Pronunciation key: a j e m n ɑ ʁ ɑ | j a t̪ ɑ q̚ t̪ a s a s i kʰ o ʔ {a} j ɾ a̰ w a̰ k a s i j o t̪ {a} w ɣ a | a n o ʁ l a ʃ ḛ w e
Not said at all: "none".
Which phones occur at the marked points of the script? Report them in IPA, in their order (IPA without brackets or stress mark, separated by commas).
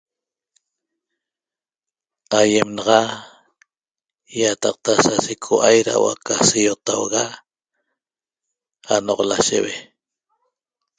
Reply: a, a